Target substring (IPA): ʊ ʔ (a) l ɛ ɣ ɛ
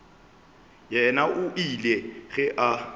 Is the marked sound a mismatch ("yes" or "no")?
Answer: yes